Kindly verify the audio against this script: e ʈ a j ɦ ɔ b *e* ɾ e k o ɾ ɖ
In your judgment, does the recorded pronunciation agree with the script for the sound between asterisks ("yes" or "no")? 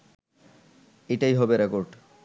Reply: yes